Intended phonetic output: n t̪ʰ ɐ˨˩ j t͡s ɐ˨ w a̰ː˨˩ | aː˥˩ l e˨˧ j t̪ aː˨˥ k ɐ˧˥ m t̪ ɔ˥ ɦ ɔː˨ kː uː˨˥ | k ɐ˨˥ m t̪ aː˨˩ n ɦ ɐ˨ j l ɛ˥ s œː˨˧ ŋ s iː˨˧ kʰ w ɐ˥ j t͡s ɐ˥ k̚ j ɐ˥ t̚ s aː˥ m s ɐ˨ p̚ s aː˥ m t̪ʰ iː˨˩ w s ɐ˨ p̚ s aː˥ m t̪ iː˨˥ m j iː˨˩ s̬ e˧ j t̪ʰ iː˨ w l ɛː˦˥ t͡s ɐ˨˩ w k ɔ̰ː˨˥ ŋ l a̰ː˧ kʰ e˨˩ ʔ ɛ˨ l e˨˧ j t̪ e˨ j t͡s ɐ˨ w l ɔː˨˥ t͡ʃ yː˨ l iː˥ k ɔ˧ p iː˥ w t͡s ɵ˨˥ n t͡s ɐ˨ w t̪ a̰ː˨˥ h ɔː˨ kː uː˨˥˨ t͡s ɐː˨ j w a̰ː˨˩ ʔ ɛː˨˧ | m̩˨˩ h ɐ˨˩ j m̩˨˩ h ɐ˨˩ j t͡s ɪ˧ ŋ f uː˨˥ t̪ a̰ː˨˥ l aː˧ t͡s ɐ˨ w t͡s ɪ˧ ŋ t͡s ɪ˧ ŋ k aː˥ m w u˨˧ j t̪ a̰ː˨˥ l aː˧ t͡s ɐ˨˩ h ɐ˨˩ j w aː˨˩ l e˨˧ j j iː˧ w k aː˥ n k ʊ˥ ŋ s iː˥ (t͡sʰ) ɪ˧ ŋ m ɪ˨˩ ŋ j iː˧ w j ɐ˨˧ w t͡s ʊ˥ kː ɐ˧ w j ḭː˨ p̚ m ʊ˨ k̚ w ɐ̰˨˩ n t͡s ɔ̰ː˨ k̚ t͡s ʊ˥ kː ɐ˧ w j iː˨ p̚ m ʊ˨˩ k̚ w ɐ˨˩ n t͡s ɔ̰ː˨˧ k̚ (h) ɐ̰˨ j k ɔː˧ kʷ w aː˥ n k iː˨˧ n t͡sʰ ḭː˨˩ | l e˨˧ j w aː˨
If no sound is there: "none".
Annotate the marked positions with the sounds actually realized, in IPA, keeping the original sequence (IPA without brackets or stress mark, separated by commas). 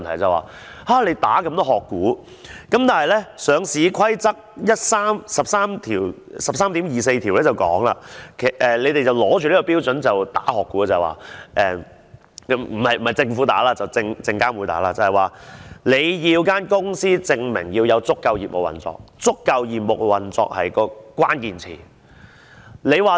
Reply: t͡s, h